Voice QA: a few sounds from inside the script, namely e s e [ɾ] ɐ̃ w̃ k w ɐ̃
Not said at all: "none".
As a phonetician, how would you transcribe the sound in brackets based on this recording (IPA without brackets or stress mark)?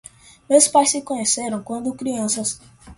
ɾ